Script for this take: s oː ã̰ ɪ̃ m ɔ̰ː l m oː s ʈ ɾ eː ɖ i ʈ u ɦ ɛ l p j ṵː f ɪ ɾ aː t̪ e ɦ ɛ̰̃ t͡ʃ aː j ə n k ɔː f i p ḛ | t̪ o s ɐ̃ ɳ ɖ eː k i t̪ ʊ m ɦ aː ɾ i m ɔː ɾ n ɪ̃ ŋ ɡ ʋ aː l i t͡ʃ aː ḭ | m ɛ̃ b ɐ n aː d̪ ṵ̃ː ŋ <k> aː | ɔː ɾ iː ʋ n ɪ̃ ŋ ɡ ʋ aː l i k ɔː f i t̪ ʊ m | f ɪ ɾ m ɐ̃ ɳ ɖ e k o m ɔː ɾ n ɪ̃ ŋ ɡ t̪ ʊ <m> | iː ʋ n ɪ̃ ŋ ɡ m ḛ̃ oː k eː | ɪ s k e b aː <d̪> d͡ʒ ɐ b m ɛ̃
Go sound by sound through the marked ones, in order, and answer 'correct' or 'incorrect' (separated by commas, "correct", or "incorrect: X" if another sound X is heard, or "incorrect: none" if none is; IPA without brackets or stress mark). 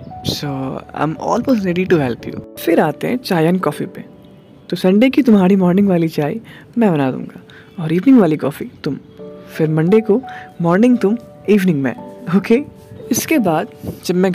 incorrect: ɡ, correct, correct